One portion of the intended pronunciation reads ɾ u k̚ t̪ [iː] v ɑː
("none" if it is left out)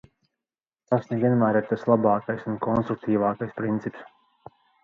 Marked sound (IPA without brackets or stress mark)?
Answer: iː